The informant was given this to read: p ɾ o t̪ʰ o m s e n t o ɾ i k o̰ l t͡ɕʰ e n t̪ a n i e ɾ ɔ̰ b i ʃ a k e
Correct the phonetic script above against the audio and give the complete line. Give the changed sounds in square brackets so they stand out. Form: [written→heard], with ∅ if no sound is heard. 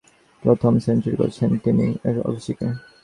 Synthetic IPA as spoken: p ɾ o t̪ʰ o m s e n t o ɾ i k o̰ [l→ɾ] t͡ɕʰ e n t̪ [a→i] n i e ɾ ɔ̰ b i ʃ [a→i] k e